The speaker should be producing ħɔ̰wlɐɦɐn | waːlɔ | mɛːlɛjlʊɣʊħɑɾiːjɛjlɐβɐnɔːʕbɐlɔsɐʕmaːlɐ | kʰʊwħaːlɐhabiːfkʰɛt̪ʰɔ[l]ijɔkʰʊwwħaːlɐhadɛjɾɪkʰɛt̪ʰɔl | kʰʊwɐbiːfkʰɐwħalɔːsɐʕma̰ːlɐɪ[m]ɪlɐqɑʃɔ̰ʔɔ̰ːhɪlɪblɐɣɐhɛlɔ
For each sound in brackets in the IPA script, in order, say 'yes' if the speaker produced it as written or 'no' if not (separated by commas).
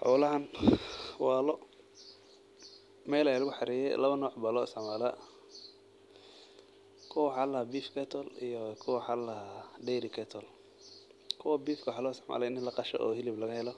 yes, no